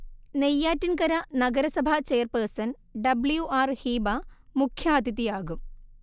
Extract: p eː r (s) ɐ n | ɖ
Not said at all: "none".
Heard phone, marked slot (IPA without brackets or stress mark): s